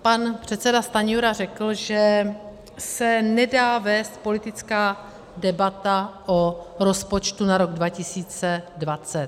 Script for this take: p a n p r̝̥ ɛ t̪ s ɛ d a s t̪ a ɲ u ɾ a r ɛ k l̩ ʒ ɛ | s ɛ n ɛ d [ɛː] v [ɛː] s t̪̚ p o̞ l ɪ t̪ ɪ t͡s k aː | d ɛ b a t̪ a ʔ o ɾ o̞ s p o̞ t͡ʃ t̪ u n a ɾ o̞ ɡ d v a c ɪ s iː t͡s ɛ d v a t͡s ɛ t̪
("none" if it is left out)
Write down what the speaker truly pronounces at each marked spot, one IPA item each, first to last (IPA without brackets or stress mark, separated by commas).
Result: aː, ɛː